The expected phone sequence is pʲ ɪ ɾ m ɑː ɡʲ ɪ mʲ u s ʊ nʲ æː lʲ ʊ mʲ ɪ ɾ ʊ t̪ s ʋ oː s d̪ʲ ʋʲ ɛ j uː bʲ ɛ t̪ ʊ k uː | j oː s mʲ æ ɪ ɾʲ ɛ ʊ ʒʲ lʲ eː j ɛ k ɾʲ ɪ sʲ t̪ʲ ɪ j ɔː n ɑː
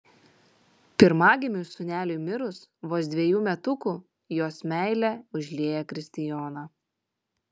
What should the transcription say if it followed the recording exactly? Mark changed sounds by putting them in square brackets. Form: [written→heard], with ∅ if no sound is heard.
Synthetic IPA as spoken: pʲ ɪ ɾ m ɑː ɡʲ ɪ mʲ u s ʊ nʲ æː lʲ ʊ mʲ ɪ ɾ ʊ [t̪→∅] s ʋ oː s d̪ʲ ʋʲ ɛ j uː [bʲ→mʲ] ɛ t̪ ʊ k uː | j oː s mʲ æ ɪ [ɾʲ→lʲ] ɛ ʊ ʒʲ lʲ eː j ɛ k ɾʲ ɪ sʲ t̪ʲ ɪ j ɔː n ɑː